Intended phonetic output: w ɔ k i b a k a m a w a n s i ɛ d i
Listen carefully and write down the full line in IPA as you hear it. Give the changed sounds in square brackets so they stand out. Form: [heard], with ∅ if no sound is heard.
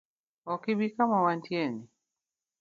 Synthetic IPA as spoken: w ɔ k i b [i] k a m a w a n [t] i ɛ [n] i